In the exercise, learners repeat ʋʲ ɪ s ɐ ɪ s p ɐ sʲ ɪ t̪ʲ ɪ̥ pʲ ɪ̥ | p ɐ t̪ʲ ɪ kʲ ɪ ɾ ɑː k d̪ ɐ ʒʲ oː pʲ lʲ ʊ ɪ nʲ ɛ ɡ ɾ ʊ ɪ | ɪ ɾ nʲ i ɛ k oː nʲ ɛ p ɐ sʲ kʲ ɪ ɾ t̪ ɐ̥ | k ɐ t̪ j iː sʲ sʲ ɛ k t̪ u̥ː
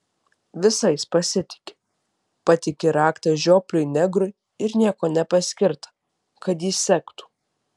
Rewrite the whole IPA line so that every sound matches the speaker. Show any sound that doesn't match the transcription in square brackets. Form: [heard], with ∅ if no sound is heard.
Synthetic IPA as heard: ʋʲ ɪ s ɐ ɪ s p ɐ sʲ ɪ t̪ʲ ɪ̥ [kʲ] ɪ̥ | p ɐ t̪ʲ ɪ kʲ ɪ ɾ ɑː k [t̪] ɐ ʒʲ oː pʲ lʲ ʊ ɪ nʲ ɛ ɡ ɾ ʊ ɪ | ɪ ɾ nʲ i ɛ k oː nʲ ɛ p ɐ sʲ kʲ ɪ ɾ t̪ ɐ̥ | k ɐ t̪ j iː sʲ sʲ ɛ k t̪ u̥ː